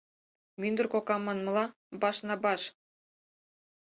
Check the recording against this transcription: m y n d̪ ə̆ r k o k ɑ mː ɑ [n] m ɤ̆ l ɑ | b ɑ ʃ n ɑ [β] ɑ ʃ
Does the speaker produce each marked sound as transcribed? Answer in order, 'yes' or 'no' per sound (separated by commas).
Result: yes, no